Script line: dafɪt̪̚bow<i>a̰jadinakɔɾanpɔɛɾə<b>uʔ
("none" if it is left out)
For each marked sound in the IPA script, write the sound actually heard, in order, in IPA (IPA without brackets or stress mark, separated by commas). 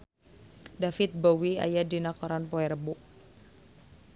i, b